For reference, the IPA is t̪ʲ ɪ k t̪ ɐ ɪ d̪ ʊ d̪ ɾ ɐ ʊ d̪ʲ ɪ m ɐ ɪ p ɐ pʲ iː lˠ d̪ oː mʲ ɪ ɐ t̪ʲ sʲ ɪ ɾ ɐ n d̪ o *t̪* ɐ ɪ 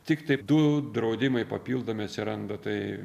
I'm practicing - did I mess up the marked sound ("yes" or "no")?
no